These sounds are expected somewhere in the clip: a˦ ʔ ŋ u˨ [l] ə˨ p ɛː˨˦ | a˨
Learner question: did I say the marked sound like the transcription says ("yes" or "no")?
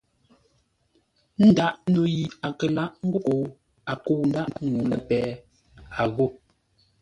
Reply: yes